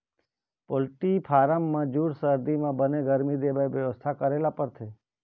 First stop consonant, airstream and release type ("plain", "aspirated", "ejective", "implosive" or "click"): plain